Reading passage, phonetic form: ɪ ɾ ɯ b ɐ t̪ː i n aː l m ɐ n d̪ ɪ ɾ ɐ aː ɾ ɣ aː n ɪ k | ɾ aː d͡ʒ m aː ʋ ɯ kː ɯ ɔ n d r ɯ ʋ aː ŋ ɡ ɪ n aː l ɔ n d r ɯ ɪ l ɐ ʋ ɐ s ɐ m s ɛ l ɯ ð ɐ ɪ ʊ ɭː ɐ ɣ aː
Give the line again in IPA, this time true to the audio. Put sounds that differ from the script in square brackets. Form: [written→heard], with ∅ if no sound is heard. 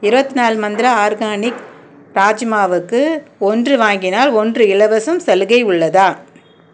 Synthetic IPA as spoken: ɪ ɾ ɯ b ɐ t̪ː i n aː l m ɐ n d̪ ɪ ɾ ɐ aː ɾ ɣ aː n ɪ k | ɾ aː d͡ʒ m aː ʋ ɯ kː ɯ ɔ n d r ɯ ʋ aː ŋ ɡ ɪ n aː l ɔ n d r ɯ ɪ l ɐ ʋ ɐ s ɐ m s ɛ l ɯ [ð→ɣ] ɐ ɪ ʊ ɭː ɐ [ɣ→ð] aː